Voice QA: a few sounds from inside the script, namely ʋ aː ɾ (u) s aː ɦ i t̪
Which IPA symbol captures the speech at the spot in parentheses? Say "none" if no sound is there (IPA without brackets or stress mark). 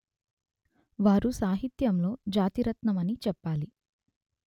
u